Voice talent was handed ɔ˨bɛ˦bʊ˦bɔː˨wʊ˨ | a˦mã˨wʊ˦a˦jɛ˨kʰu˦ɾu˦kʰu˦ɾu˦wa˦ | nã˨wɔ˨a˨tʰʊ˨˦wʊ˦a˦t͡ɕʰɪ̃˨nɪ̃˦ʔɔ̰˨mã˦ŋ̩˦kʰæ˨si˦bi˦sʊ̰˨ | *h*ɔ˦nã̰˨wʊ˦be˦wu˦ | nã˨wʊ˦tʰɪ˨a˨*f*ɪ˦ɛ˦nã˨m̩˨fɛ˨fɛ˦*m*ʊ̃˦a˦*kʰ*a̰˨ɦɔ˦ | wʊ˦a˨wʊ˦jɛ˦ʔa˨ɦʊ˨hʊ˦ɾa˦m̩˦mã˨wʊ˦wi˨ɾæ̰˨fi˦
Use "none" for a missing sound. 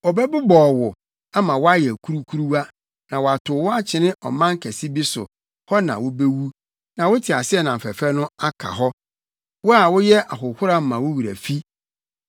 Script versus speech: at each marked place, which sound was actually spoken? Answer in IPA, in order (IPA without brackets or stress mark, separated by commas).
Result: h, s, n, kʰ